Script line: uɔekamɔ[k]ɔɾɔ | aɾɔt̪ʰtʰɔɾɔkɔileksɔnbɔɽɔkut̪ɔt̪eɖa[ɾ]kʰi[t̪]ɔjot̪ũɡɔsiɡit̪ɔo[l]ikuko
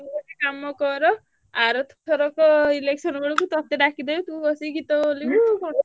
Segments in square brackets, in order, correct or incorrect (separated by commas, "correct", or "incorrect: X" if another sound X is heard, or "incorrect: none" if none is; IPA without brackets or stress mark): correct, incorrect: none, incorrect: d̪, correct